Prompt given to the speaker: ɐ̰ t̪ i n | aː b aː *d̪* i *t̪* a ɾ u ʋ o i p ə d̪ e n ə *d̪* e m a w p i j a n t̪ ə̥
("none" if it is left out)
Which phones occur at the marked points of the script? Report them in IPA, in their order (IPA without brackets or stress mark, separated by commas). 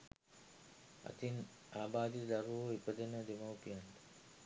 d̪, d̪, d̪